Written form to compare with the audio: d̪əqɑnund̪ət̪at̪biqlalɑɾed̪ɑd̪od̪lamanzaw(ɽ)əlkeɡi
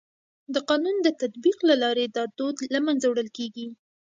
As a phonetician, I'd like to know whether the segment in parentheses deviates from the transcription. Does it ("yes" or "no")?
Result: no